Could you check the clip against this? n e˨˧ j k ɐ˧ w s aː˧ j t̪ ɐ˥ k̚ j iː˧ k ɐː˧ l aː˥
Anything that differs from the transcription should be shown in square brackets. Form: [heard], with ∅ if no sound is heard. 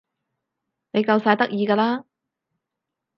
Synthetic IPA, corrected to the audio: n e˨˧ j k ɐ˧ w s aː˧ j t̪ ɐ˥ k̚ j iː˧ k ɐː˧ l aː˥